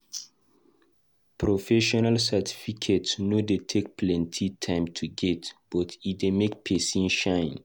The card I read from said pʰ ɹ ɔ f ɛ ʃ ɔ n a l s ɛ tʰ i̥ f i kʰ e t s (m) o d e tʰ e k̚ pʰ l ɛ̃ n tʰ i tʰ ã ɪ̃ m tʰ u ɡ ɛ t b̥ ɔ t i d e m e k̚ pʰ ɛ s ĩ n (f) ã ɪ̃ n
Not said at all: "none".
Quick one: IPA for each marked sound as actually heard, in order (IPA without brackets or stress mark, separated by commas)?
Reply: n, ʃ